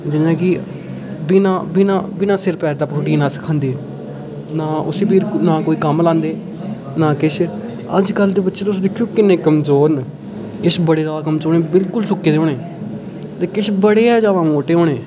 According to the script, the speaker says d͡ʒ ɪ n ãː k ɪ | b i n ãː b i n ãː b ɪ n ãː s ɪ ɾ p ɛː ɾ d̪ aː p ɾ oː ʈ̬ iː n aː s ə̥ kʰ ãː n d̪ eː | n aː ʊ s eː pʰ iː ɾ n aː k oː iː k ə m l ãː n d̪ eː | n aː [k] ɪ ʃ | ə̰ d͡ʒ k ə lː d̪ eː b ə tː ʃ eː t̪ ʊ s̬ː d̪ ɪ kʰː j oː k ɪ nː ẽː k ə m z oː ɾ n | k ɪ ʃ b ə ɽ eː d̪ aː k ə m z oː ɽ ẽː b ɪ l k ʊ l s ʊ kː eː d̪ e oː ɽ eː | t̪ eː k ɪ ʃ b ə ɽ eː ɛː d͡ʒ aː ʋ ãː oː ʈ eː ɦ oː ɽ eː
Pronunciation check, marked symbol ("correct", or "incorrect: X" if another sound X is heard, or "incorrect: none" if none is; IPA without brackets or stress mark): correct